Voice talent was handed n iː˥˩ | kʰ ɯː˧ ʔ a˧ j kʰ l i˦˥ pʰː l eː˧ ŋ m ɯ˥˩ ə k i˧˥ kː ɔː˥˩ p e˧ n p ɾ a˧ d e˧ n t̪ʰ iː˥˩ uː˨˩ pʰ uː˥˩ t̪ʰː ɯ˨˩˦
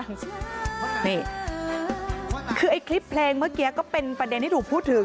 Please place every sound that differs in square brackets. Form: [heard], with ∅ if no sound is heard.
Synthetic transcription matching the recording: n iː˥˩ | kʰ ɯː˧ ʔ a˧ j kʰ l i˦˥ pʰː l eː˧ ŋ m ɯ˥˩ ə k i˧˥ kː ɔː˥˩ p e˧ n p ɾ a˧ d e˧ n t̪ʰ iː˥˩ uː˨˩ pʰ uː˥˩ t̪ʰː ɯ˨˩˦